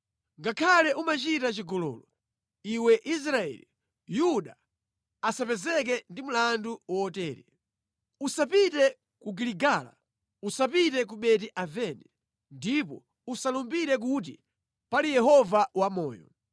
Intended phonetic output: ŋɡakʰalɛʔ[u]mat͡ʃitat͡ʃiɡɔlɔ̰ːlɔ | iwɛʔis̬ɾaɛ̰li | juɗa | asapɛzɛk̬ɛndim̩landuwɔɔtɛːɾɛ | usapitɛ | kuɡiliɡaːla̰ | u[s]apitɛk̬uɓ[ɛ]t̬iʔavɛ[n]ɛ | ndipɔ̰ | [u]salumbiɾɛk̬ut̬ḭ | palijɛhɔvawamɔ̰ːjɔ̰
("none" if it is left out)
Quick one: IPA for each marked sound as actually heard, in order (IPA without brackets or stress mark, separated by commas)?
u, s, ɛ, n, u